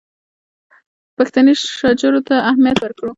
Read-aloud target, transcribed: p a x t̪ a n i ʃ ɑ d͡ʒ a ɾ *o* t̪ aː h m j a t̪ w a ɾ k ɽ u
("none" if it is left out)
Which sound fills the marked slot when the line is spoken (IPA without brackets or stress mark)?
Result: o